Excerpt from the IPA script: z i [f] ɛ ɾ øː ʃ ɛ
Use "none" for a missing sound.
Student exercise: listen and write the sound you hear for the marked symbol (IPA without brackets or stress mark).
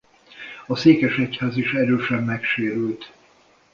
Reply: ʃ